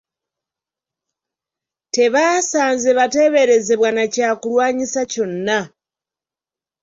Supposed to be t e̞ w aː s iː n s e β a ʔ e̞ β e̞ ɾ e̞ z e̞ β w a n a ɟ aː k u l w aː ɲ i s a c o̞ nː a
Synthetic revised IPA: t e̞ β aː s aː n z e β a t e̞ β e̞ ɾ e̞ z e̞ β w a n a c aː k u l w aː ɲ i s a c o̞ nː a